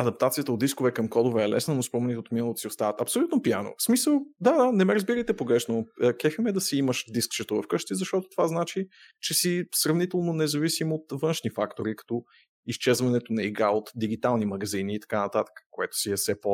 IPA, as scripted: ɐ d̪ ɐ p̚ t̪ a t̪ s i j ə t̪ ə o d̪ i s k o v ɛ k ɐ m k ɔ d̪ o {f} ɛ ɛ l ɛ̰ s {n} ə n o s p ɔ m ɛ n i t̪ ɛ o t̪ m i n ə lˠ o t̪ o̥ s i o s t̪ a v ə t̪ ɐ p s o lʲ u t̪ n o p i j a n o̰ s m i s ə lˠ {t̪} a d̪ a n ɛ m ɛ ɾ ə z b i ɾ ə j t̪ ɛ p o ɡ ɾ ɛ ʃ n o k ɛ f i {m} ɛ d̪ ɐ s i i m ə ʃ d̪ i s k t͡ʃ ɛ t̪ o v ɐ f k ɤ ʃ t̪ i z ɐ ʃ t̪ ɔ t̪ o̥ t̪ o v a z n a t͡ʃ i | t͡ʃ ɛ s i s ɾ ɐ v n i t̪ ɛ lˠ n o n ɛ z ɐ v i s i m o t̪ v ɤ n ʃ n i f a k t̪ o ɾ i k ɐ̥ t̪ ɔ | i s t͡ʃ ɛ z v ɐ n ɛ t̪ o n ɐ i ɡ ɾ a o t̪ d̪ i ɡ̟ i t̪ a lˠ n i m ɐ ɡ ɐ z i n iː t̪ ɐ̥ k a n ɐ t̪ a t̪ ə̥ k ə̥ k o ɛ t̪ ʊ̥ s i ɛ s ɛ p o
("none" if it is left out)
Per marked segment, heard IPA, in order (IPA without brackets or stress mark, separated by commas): v, n, d̪, m